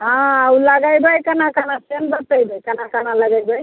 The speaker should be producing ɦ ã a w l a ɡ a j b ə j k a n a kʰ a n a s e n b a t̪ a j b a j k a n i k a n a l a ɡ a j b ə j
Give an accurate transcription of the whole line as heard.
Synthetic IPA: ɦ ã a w l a ɡ a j b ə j k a n a k a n a s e n b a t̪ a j b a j k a n a k a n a l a ɡ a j b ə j